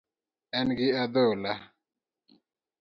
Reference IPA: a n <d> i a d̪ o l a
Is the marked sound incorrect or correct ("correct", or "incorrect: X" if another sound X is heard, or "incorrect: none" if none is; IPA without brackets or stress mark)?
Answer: incorrect: ɡ